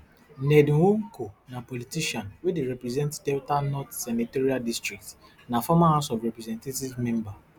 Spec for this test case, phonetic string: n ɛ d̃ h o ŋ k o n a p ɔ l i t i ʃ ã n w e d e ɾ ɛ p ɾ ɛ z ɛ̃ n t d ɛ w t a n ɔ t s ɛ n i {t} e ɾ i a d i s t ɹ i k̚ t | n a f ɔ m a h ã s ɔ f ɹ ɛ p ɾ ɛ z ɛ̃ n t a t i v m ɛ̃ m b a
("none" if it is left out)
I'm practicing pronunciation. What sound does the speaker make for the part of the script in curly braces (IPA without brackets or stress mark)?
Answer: t